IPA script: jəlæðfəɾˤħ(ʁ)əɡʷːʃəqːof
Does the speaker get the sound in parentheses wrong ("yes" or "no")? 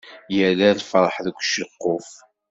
yes